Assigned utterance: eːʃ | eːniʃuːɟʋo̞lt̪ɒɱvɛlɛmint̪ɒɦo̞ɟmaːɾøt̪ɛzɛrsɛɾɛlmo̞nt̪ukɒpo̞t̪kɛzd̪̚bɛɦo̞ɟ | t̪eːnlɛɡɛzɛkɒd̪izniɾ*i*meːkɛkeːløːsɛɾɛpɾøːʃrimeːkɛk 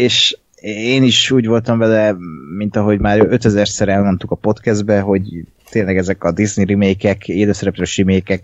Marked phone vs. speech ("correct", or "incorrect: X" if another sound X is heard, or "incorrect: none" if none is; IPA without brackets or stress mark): correct